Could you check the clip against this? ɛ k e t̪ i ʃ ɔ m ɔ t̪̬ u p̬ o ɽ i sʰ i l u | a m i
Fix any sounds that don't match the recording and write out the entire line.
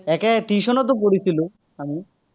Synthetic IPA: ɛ k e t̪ i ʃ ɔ n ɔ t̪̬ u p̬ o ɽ i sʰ i l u | a m i